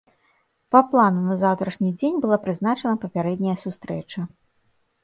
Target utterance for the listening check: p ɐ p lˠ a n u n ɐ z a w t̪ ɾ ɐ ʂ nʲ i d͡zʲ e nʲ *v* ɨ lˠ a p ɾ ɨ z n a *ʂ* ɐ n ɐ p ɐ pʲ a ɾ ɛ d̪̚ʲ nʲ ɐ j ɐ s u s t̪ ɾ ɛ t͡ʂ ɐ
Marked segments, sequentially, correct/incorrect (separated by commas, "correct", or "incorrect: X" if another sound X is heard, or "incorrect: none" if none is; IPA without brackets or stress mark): incorrect: b, incorrect: t͡ʂ